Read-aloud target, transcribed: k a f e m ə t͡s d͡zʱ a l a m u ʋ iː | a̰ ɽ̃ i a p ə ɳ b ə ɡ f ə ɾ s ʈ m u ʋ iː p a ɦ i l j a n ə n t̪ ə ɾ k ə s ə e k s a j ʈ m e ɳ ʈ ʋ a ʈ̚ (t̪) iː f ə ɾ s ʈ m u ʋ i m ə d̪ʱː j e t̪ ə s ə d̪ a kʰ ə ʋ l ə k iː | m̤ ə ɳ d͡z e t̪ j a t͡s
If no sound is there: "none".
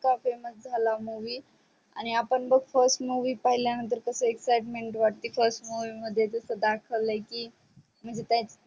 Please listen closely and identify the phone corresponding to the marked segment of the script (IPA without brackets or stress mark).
t̪